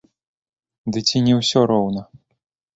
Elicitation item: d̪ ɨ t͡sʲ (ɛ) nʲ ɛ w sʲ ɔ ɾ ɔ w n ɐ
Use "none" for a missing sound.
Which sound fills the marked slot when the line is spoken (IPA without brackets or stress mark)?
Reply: i